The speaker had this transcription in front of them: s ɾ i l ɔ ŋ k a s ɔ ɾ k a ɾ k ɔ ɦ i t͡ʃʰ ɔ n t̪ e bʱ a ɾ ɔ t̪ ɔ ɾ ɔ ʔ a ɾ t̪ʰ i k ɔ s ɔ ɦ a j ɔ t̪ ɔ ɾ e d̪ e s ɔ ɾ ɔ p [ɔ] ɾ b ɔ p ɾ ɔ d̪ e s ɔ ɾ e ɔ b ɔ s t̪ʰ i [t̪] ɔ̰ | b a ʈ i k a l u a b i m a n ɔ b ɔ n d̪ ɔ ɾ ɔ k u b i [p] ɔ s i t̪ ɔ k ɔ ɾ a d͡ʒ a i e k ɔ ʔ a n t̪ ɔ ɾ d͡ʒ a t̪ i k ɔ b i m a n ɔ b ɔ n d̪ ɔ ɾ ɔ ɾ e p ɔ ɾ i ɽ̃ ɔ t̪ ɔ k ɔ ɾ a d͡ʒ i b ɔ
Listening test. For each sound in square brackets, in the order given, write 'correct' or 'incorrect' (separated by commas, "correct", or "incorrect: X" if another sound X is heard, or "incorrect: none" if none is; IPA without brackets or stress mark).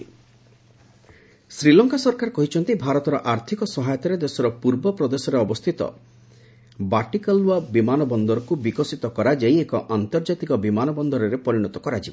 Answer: incorrect: u, correct, incorrect: k